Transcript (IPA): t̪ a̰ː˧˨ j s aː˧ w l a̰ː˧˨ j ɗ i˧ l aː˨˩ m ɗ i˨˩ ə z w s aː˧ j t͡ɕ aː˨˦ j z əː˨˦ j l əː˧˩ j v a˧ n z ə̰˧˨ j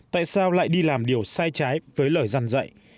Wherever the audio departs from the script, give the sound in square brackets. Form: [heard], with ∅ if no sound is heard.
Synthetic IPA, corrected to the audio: t̪ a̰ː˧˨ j s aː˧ w l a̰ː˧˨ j ɗ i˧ l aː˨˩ m ɗ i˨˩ ə [∅] w s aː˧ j t͡ɕ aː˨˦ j [v] əː˨˦ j l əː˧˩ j [z] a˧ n z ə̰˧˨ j

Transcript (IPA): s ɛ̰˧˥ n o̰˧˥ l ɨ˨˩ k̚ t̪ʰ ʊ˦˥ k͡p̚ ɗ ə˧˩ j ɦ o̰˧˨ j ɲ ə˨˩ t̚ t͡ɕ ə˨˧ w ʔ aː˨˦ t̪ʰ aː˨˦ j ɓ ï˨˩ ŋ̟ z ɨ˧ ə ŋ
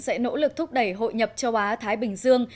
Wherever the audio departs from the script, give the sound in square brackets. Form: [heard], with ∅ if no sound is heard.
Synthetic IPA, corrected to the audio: s ɛ̰˧˥ n o̰˧˥ l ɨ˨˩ k̚ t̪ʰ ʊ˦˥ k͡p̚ ɗ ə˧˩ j ɦ o̰˧˨ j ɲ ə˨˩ [p̚] t͡ɕ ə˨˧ w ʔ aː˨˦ t̪ʰ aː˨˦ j ɓ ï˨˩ ŋ̟ z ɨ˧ ə ŋ

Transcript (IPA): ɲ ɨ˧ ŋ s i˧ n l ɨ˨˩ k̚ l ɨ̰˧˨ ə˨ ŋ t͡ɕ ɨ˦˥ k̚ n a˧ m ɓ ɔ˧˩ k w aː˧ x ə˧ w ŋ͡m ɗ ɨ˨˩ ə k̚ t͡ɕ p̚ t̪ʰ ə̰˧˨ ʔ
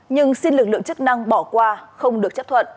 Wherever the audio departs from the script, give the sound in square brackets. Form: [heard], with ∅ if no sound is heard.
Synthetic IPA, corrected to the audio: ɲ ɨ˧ ŋ s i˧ n l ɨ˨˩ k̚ l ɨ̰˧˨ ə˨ ŋ t͡ɕ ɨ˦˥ k̚ n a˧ [ŋ] ɓ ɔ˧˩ k w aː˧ x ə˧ w ŋ͡m ɗ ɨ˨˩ ə k̚ t͡ɕ p̚ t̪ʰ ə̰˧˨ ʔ

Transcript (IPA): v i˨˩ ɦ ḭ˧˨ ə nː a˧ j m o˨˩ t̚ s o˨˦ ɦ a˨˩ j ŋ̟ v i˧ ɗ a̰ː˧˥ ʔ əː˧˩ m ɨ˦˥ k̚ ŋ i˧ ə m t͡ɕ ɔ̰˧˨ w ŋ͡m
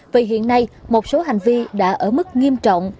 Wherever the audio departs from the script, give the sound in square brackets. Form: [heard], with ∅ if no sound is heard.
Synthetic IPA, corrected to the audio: v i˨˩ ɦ ḭ˧˨ ə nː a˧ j m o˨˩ t̚ s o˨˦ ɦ a˨˩ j ŋ̟ v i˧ ɗ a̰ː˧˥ ʔ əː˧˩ m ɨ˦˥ k̚ ŋ i˧ ə m t͡ɕ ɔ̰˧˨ w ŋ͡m

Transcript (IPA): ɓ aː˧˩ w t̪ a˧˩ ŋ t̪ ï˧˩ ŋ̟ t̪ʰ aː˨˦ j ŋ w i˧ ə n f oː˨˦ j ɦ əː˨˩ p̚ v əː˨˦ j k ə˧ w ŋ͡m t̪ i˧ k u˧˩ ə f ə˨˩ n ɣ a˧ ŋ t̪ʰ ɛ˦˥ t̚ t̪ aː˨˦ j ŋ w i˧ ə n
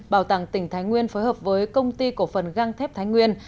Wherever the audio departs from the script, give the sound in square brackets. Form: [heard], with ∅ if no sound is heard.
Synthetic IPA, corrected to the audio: ɓ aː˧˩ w t̪ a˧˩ ŋ t̪ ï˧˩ ŋ̟ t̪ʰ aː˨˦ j ŋ w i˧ ə n f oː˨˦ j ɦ əː˨˩ p̚ v əː˨˦ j k ə˧ w ŋ͡m t̪ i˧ k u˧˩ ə f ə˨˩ n ɣ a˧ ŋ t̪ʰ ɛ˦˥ [p̚] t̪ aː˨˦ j ŋ w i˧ ə n

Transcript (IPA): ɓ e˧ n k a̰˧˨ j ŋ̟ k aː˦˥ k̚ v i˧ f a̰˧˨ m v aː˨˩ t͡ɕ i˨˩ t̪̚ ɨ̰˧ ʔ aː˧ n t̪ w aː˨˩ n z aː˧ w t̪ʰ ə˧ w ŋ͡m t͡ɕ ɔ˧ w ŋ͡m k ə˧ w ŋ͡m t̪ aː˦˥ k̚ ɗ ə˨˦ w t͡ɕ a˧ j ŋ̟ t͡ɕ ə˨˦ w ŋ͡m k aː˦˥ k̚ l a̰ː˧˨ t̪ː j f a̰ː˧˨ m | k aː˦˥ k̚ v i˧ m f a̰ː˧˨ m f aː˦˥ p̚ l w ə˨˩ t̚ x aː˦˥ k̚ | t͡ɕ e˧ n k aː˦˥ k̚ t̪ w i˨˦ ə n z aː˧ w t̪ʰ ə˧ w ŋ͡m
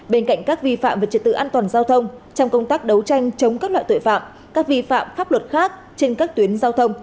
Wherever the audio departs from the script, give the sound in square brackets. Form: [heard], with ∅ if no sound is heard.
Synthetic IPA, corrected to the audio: ɓ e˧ n k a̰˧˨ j ŋ̟ k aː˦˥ k̚ v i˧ f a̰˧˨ m v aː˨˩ t͡ɕ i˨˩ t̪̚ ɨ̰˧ ʔ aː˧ n t̪ w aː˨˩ n z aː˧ w t̪ʰ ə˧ w ŋ͡m t͡ɕ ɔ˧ w ŋ͡m k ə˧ w ŋ͡m t̪ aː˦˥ k̚ ɗ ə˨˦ w t͡ɕ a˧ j ŋ̟ t͡ɕ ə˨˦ w ŋ͡m k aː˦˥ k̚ l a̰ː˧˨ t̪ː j f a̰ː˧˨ m | k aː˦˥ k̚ v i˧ [∅] f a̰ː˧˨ m f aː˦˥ p̚ l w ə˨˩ t̚ x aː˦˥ k̚ | t͡ɕ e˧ n k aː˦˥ k̚ t̪ w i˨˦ ə n z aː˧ w t̪ʰ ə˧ w ŋ͡m

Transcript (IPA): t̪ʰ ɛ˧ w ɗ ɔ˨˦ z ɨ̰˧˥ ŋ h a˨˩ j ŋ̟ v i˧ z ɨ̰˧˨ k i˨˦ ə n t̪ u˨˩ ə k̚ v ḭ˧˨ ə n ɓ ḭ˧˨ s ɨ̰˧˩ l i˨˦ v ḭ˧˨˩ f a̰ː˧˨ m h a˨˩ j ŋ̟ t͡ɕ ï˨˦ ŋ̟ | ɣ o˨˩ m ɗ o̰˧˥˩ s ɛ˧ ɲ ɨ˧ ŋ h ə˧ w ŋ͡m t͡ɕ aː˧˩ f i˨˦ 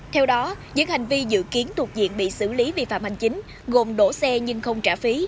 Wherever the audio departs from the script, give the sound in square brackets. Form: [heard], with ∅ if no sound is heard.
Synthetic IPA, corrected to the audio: t̪ʰ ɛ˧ w ɗ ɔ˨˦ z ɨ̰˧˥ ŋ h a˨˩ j ŋ̟ v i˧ z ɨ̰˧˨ k i˨˦ ə n t̪ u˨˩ ə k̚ [z] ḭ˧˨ ə n ɓ ḭ˧˨ s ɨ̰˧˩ l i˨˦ v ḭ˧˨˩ f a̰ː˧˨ m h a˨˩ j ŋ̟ t͡ɕ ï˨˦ ŋ̟ | ɣ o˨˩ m ɗ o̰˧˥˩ s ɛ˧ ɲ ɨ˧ ŋ [x] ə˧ w ŋ͡m t͡ɕ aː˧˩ f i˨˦

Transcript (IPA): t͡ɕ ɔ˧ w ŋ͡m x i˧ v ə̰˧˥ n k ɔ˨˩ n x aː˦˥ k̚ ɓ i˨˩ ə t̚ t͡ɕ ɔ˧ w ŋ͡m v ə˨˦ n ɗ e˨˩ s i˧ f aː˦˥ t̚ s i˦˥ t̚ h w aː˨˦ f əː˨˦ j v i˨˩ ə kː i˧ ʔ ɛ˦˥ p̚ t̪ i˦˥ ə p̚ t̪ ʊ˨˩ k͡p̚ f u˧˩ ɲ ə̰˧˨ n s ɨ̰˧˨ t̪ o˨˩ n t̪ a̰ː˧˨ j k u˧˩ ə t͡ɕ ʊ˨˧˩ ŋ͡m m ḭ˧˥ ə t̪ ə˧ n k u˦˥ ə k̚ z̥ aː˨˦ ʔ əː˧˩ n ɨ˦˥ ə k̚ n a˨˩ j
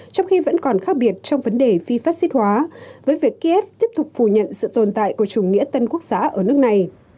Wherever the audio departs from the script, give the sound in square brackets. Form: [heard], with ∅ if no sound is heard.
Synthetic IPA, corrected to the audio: t͡ɕ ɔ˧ w ŋ͡m x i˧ v ə̰˧˥ n k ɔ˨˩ n x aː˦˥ k̚ ɓ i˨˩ ə t̚ t͡ɕ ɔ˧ w ŋ͡m v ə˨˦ n ɗ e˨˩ [f] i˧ f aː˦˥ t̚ s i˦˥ t̚ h w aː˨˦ [v] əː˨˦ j v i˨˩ ə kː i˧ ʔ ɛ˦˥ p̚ t̪ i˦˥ ə p̚ t̪ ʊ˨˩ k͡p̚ f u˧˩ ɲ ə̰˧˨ n s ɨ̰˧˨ t̪ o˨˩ n t̪ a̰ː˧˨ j k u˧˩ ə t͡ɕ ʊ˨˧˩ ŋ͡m [ŋ] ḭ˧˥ ə t̪ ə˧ n k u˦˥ ə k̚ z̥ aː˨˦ ʔ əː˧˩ n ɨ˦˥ ə k̚ n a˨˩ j

